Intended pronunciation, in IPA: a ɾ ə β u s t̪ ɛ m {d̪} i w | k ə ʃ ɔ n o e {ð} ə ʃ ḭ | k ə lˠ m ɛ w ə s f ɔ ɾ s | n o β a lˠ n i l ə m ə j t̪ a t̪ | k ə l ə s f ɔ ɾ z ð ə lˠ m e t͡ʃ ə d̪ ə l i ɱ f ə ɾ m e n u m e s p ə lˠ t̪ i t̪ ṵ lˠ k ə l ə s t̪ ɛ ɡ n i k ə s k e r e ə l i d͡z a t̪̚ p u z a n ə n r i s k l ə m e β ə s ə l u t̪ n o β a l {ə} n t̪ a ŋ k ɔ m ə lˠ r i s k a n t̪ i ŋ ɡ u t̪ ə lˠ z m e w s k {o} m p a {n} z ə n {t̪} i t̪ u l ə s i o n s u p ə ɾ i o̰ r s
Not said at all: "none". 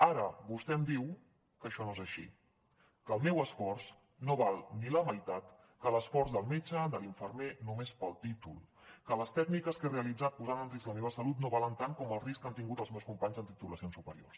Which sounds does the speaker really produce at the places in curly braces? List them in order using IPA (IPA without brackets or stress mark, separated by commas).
d̪, z, ə, u, ɲ, t̪